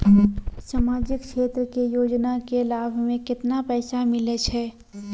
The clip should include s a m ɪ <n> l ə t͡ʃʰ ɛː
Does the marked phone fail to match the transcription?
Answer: yes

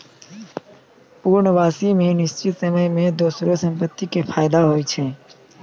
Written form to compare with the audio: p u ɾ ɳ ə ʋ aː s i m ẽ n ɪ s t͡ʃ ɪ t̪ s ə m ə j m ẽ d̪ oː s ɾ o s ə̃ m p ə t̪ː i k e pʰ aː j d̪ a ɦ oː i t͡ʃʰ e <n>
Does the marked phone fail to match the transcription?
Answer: yes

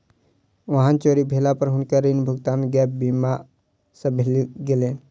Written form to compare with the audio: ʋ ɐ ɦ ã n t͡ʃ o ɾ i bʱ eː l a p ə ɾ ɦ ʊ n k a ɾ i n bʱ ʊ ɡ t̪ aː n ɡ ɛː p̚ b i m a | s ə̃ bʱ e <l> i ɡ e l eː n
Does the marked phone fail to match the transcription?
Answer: no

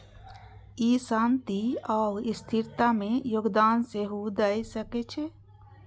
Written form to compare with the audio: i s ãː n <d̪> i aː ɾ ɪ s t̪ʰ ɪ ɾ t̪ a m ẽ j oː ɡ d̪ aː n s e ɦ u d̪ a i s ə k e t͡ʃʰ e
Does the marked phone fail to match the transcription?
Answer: yes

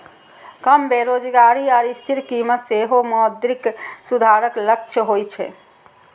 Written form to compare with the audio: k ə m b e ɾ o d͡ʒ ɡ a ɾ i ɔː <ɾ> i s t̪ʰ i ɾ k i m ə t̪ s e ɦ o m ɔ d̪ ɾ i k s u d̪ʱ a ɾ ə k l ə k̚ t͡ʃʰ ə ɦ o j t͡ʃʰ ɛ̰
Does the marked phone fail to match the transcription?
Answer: no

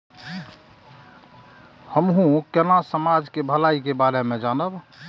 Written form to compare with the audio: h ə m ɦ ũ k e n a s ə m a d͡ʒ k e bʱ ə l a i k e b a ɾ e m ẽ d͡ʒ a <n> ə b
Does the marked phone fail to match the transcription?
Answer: no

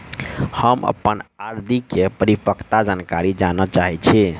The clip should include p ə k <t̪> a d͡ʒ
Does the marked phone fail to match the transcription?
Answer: no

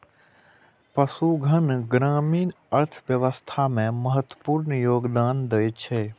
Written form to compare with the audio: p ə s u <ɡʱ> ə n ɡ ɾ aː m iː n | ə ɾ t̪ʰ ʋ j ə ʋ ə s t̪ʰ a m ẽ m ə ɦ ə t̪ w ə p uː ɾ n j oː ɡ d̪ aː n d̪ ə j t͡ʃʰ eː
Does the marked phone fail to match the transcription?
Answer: no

